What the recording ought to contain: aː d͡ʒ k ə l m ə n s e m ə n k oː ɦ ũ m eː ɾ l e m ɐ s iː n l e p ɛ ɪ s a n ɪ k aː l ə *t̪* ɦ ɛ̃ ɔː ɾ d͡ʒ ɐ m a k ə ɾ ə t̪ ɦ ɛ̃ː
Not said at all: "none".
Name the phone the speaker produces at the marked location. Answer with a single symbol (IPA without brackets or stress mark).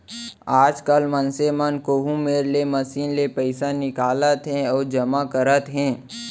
t̪